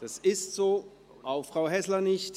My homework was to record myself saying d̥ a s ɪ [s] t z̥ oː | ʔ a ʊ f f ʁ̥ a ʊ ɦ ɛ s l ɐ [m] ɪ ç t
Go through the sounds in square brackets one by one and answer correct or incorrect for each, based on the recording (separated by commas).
correct, incorrect